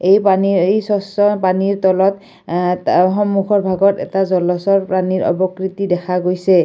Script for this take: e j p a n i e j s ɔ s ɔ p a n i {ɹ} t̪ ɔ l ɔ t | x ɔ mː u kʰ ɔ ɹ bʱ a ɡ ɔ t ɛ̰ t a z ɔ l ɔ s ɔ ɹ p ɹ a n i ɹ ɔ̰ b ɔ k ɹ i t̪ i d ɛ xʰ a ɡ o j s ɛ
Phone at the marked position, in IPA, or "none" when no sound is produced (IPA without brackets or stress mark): ɹ